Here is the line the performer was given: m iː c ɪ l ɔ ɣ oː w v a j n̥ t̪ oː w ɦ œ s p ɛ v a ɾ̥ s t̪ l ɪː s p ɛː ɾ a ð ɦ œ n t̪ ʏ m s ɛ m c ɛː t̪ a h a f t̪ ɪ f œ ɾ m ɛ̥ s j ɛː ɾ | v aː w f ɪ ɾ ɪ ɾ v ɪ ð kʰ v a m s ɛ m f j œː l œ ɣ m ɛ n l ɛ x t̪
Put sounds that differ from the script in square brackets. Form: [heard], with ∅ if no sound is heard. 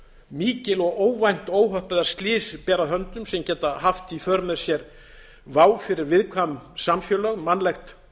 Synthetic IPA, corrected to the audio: m iː c ɪ l ɔ ɣ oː w v a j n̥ t̪ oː w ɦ œ [h] p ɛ [ð] a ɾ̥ s t̪ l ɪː s p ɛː ɾ a ð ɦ œ n t̪ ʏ m s ɛ m c ɛː t̪ a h a f t̪ [i] f œ ɾ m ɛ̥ s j [ɛ] ɾ | v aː w f ɪ ɾ ɪ ɾ v ɪ ð kʰ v a m s [a] m f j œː l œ ɣ m [a] n l ɛ x t̪